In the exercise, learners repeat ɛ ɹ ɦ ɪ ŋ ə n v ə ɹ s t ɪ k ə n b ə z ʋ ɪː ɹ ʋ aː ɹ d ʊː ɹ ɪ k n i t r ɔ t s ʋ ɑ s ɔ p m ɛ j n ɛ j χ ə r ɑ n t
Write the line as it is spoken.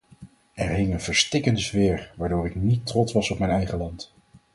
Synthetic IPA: ɛ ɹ ɦ ɪ ŋ ə n v ə ɹ s t ɪ k ə n d ə z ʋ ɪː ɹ ʋ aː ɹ d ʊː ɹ ɪ k n i t r ɔ t s ʋ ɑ s ɔ p m ɛ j n ɛ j χ ə l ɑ n t